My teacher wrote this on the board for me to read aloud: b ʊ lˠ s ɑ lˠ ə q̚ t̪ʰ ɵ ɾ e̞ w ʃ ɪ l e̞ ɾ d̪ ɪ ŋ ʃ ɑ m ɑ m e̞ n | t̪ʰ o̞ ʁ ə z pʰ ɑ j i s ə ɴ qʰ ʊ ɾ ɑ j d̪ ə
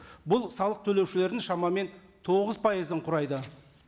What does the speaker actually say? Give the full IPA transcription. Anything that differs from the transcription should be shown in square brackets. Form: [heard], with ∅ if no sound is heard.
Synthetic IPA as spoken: b ʊ lˠ s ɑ lˠ ə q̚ t̪ʰ ɵ [l] e̞ w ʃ ɪ l e̞ ɾ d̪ ɪ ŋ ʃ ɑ m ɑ m e̞ n | t̪ʰ o̞ ʁ ə z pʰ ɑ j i [z] ə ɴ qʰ ʊ ɾ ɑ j d̪ ə